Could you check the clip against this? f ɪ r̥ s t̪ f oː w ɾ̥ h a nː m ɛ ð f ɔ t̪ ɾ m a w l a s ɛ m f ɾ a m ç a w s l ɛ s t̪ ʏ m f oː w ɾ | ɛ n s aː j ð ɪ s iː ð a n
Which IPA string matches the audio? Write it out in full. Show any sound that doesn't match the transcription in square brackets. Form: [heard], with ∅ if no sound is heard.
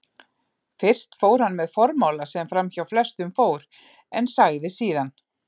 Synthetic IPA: f ɪ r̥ s t̪ f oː w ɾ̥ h a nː m ɛ ð f ɔ [∅] ɾ m a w l a s ɛ m f ɾ a m ç a w [f] l ɛ s t̪ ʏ m f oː w ɾ | ɛ n s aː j ð ɪ s iː ð a n

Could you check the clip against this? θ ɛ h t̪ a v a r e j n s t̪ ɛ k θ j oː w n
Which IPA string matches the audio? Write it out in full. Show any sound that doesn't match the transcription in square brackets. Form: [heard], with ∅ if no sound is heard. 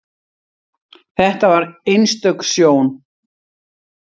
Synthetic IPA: θ ɛ h t̪ a v a [ɾ] e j n s t̪ [œ] k [s] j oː w n

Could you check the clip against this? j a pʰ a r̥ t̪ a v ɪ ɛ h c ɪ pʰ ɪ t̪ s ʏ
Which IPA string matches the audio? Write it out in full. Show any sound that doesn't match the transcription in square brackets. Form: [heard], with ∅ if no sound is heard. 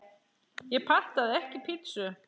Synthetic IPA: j [ɛ] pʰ a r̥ t̪ a [ð] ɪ ɛ h c ɪ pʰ ɪ t̪ s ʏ

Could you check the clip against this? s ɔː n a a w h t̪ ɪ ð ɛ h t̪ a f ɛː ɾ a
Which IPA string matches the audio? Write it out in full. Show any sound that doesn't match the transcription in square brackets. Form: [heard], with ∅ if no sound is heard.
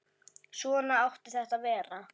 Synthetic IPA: s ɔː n a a w h t̪ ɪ [θ] ɛ h t̪ a [v] ɛː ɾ a

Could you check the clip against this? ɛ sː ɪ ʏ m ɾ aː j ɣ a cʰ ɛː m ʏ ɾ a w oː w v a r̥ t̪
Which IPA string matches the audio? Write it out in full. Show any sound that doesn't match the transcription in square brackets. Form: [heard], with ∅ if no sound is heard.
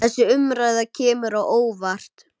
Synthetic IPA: ɛ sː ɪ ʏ m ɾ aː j [ð] a cʰ ɛː m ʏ ɾ a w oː w v a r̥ t̪

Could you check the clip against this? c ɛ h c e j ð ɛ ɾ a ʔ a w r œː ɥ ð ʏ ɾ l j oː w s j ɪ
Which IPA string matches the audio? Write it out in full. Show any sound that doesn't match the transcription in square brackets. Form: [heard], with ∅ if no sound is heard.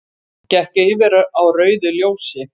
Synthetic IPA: c ɛ h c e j [v] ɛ ɾ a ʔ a w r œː ɥ ð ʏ [∅] l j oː w s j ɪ

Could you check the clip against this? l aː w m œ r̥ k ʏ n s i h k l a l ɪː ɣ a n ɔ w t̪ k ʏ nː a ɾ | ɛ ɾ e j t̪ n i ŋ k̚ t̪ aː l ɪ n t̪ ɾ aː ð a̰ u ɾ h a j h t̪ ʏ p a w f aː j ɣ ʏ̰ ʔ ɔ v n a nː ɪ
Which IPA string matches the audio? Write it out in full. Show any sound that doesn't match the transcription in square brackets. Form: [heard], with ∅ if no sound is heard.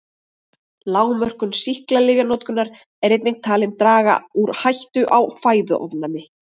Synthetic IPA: l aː w m œ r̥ k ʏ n s i h k l a l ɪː ɣ a n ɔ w t̪ k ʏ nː a ɾ | ɛ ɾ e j t̪ n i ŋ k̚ [t̪ʰ] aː l ɪ n t̪ ɾ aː [ɣ] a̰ u ɾ h a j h t̪ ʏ [ʔ] a w f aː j [ð] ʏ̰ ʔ ɔ v n a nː ɪ

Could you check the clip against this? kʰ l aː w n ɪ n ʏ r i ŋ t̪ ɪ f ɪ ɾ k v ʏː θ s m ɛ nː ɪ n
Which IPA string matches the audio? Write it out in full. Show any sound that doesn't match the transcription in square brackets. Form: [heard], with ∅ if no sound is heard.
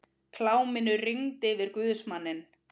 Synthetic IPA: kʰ l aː w [m] ɪ n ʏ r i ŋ t̪ ɪ [v] ɪ ɾ k v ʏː [ð] s m [a] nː ɪ n

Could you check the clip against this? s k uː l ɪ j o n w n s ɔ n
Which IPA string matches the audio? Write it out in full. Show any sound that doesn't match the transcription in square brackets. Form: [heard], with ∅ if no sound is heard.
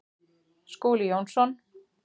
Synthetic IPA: s k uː l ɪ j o [∅] w n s ɔ n

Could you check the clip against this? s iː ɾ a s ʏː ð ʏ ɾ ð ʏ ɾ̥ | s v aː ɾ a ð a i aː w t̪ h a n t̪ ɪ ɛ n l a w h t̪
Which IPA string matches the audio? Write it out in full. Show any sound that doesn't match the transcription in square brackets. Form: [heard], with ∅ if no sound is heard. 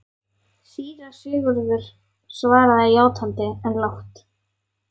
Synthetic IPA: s iː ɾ a s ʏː [ɣ] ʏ ɾ ð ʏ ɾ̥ | s v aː ɾ a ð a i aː w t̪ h a n t̪ ɪ ɛ n l a w h t̪

